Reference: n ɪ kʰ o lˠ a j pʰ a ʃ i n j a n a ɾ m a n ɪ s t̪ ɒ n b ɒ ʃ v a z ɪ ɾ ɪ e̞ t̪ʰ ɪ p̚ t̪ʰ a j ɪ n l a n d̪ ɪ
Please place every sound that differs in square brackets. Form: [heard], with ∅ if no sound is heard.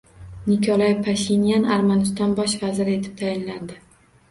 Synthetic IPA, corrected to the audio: n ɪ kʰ [ɒ] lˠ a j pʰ a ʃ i n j a n a ɾ m a n ɪ s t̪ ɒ n b ɒ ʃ v a z ɪ ɾ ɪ e̞ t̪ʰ ɪ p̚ t̪ʰ a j ɪ n l a n d̪ ɪ